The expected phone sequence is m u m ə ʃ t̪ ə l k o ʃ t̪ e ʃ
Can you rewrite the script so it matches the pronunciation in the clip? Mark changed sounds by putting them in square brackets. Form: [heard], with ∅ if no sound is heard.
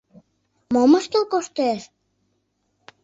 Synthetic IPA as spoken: m [o] m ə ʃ t̪ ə l k o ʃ t̪ e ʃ